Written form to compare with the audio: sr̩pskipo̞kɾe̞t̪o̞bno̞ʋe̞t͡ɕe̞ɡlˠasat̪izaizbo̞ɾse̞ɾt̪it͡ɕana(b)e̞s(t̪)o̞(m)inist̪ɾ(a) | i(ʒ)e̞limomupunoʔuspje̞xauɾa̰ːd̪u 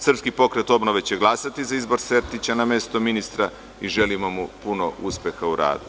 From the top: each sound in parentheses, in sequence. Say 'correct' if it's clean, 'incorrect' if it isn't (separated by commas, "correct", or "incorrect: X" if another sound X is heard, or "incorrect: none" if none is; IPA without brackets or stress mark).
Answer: incorrect: m, correct, correct, correct, correct